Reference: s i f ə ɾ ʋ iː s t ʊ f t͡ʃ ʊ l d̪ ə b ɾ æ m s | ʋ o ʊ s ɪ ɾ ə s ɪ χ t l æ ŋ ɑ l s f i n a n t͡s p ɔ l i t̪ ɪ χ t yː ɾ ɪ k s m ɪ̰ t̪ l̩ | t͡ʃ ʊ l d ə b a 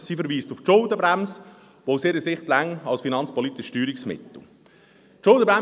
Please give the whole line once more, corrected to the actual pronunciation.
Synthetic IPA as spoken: s i f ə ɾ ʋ iː s t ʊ f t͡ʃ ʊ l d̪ ə b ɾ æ m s | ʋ o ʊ s ɪ ɾ ə s ɪ χ t l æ ŋ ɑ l s f i n ɑ n t͡s p ɔ l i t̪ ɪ ʃ t yː ɾ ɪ k s m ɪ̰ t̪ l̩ | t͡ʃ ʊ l d ə b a